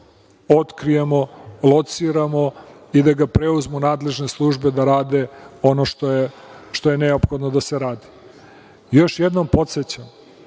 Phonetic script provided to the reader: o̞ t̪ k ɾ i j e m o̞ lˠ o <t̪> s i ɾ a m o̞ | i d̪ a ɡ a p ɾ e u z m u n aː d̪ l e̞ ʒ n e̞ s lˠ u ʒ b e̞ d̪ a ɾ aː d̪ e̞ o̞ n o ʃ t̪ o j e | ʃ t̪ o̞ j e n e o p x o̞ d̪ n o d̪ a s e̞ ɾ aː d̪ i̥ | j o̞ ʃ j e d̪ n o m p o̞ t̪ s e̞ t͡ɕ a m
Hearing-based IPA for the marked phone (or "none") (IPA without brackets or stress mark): t̪